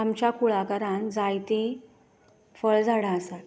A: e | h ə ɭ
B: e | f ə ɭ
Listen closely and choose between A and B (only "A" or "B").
B